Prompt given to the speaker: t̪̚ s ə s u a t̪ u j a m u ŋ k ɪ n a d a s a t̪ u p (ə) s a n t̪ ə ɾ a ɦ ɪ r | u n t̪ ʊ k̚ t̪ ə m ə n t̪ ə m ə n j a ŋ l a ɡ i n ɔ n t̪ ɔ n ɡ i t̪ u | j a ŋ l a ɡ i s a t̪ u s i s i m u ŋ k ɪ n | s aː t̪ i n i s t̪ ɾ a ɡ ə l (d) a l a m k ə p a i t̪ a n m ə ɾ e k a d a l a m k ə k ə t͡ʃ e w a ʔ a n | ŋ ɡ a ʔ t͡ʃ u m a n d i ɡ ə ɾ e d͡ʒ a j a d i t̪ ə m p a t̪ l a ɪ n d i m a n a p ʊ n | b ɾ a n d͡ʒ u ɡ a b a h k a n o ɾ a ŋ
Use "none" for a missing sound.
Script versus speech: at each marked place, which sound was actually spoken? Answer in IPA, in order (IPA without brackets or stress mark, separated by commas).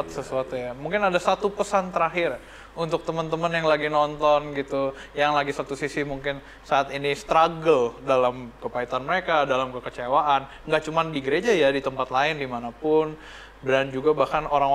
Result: ə, d